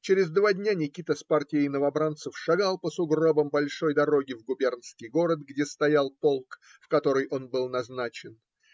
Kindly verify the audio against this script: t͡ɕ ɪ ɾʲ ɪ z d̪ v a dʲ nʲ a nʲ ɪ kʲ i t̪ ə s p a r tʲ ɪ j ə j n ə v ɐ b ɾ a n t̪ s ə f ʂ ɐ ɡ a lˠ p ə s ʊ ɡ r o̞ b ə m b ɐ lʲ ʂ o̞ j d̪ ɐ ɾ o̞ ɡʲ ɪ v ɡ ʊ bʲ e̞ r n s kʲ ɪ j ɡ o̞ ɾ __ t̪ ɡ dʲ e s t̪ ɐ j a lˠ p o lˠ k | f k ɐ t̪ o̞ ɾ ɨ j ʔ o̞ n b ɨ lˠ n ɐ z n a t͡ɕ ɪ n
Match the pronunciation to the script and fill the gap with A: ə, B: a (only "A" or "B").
A